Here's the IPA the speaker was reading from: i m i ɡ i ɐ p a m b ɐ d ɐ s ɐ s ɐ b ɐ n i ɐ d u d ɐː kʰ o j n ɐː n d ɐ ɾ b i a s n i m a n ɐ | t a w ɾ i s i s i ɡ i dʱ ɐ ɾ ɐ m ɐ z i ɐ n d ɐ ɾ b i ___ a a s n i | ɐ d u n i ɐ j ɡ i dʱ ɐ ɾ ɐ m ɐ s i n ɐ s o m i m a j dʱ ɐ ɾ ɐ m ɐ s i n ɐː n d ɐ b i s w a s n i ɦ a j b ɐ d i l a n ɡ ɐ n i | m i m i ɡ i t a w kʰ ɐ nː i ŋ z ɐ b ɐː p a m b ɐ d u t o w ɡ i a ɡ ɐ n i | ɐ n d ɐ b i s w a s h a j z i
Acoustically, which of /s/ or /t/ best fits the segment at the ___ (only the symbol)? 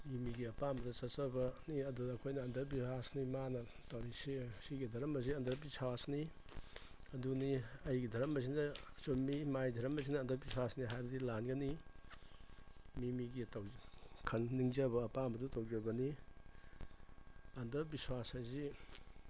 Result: s